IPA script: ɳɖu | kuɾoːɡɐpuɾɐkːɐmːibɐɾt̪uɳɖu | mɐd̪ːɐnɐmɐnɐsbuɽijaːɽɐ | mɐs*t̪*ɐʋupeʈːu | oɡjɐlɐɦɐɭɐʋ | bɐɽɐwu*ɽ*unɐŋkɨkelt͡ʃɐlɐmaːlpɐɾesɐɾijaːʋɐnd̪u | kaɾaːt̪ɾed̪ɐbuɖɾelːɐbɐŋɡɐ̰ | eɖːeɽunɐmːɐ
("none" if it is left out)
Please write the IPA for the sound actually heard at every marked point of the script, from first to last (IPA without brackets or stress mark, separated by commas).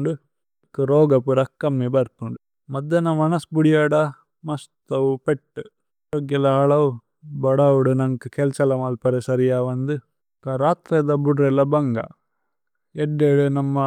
t̪, ɽ